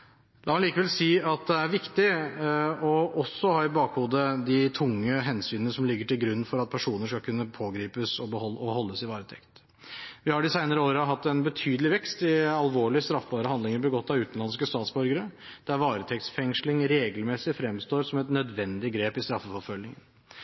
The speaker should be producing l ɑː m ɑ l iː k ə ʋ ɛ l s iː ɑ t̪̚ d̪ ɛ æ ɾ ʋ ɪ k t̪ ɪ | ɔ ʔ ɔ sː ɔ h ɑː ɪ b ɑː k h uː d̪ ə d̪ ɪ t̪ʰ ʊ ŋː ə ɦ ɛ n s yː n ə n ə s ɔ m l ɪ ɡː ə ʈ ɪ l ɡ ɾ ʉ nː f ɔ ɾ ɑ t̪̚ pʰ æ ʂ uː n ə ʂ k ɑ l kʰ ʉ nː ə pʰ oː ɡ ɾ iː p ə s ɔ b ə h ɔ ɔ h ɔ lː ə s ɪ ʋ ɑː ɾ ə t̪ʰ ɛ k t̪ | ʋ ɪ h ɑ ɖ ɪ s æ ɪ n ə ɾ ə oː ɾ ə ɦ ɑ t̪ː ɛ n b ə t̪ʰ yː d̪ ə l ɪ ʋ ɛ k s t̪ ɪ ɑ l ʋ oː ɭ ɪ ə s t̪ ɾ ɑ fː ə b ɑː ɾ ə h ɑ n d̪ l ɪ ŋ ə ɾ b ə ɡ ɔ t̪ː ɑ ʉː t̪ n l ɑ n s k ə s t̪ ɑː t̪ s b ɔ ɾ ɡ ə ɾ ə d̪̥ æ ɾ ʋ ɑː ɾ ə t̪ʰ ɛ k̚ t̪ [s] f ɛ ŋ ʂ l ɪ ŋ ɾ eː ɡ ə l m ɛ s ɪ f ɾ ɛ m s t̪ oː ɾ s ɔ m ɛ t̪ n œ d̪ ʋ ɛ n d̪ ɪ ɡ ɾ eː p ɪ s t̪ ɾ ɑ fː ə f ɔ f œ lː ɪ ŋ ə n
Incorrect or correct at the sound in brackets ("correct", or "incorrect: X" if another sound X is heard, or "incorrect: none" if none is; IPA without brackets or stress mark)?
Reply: correct